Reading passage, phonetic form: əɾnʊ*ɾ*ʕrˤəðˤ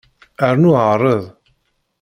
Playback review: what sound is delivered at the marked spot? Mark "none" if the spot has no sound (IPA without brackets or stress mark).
none